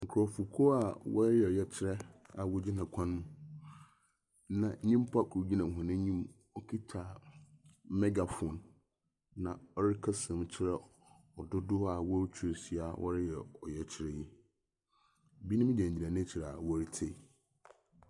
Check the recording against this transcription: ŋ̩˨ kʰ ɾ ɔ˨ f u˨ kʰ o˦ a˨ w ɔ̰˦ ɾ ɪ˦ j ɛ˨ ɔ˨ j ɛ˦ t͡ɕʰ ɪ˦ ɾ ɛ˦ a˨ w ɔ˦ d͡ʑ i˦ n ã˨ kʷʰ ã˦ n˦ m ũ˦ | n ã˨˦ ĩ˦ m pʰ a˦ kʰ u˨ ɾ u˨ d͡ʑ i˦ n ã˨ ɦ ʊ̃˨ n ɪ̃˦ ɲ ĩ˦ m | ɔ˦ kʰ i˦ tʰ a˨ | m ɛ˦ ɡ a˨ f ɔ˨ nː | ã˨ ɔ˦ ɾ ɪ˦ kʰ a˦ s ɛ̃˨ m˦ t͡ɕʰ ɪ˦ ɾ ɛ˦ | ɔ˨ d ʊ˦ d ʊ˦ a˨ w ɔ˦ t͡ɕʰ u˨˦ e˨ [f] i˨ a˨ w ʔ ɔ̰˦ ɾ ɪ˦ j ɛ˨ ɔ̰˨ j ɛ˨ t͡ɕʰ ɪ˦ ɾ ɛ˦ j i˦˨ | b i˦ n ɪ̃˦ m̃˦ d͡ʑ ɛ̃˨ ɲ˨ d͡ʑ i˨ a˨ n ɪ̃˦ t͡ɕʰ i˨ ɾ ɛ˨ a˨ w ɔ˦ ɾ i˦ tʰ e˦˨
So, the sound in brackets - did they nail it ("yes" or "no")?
no